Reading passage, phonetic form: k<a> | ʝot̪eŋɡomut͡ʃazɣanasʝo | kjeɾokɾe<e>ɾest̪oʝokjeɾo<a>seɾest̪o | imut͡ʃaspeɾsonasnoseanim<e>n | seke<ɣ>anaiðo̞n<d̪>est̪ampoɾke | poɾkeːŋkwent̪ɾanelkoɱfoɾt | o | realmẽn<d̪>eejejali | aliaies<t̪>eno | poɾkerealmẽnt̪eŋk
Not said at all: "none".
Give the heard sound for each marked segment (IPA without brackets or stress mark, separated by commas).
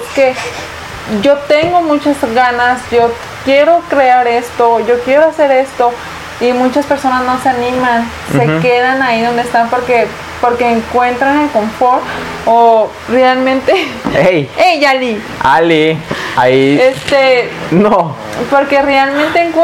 e, a, a, a, ð, d̪, t̪, t̪